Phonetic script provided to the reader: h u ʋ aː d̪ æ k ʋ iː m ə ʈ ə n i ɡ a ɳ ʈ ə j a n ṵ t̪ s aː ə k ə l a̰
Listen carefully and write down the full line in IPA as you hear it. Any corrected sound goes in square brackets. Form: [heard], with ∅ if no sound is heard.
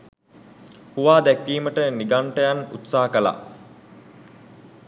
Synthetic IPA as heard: h u ʋ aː d̪ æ k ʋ iː m ə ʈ ə n i ɡ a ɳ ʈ ə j a n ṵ t̪ s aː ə k ə l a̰